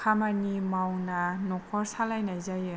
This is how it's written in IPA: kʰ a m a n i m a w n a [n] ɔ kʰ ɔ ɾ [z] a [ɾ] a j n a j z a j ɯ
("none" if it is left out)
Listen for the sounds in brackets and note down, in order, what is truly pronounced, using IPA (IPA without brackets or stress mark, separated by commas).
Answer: n, s, l